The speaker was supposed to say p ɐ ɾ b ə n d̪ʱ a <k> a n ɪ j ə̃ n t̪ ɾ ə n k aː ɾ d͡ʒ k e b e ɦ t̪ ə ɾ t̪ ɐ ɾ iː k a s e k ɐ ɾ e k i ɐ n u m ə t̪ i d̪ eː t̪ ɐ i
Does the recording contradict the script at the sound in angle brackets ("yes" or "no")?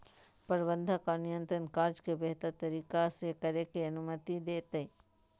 no